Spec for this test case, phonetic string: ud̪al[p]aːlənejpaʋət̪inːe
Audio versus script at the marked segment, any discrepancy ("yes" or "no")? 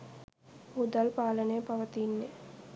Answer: no